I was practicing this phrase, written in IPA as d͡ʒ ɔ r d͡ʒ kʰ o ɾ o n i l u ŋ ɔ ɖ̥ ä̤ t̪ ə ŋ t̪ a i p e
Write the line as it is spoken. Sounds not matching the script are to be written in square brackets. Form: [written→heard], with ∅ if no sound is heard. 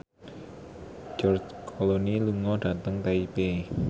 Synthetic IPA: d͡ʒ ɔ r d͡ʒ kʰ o [ɾ→l] o n i l u ŋ ɔ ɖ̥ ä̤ t̪ ə ŋ t̪ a i p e